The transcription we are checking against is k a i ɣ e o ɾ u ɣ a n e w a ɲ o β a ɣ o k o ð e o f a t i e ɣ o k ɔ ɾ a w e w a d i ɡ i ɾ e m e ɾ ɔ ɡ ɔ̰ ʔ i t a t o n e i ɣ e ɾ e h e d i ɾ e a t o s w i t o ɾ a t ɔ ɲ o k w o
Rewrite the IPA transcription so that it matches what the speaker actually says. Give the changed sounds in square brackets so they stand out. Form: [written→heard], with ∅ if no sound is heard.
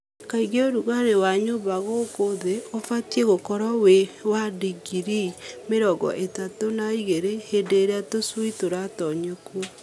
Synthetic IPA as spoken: k a i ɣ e o ɾ u ɣ a n e w a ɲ o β a ɣ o k o ð e o f a t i e ɣ o k ɔ ɾ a w e w a d i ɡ i ɾ [e→i] m e ɾ ɔ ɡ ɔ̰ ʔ [i→e] t a t o n [e→a] i ɣ e ɾ e h e d [i→e] ɾ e a t o s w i t o ɾ a t ɔ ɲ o k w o

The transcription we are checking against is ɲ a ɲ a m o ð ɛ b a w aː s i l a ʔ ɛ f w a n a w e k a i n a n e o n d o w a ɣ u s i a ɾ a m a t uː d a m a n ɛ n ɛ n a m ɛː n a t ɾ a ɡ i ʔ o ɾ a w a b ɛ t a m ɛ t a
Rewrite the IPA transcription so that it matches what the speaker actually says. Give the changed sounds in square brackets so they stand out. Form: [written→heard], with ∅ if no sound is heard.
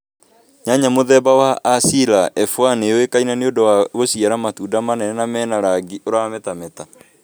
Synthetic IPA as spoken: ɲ a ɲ a m o ð ɛ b a w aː s i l a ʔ ɛ f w a n [a→e] w e k a i n a n e o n d o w a ɣ [u→o] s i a ɾ a m a t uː d a m a n ɛ n ɛ n a m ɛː n a [t→∅] ɾ a ɡ i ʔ o ɾ a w a [b→m] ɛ t a m ɛ t a

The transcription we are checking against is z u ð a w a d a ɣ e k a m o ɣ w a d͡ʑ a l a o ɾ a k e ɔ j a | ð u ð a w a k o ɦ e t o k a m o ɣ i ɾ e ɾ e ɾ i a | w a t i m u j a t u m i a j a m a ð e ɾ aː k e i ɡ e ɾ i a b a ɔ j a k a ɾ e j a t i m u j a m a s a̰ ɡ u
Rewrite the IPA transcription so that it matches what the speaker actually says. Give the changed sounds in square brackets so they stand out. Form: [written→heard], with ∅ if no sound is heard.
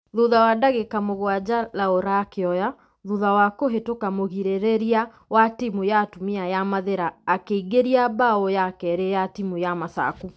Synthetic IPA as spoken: [z→ð] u ð a w a d a ɣ e k a m o ɣ w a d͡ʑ a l a o ɾ a k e ɔ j a | ð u ð a w a k o ɦ e t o k a m o ɣ i ɾ e ɾ e ɾ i a | w a t i m u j a t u m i a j a m a ð e ɾ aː k e i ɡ e ɾ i a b a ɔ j a k [a→ɛ] ɾ e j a t i m u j a m a s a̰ [ɡ→k] u

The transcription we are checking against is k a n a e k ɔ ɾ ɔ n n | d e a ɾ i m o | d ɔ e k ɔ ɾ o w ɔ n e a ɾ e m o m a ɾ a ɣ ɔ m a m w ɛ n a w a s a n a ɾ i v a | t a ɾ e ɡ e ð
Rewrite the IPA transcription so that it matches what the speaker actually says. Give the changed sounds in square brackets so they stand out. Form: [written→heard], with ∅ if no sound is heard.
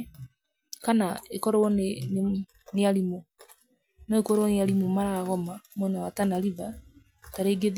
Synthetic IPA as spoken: k a n a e k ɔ ɾ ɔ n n | [d→n] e a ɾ i m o | [d→n] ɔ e k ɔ ɾ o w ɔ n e a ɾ [e→i] m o m a ɾ a ɣ ɔ m a m w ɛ n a w a [s→t] a n a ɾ i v a | t a ɾ e ɡ e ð

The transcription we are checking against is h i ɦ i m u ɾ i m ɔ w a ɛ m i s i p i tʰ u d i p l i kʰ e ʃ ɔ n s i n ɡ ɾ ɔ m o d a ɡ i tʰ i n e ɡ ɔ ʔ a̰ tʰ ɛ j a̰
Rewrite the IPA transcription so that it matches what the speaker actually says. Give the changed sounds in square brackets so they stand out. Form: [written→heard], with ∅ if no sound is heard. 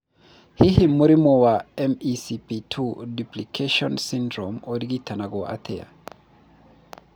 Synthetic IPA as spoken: h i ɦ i m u ɾ i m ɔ w a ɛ m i s i p i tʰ u d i p l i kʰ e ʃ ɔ n s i n [ɡ→d] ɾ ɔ m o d [a→i] ɡ i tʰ [i→a] n [e→a] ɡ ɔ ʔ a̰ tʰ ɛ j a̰

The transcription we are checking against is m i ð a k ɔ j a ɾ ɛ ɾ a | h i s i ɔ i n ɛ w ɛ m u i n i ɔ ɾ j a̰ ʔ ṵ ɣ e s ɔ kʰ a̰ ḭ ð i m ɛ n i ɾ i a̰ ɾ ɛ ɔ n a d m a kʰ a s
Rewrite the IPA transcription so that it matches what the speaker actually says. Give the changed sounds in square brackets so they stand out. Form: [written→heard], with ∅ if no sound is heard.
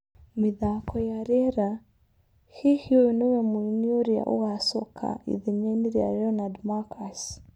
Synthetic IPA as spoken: m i ð a k ɔ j a ɾ ɛ ɾ a | h i [s→h] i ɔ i n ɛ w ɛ m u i n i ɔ ɾ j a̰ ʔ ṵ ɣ [e→a] s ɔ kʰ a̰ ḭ ð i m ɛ n i ɾ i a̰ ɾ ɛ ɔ n a d m a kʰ a s

